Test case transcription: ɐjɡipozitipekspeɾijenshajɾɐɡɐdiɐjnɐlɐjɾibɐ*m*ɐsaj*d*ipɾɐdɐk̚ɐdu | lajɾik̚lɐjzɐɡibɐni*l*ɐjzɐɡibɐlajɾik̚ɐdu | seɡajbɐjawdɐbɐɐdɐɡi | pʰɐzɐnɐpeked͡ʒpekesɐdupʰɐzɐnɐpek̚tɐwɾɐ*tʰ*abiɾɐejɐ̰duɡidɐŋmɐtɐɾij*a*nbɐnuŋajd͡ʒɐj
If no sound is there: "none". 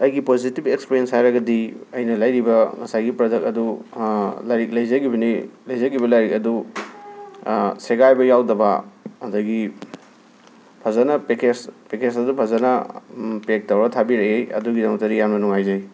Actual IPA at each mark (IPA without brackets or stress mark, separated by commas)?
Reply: ŋ, ɡ, l, tʰ, a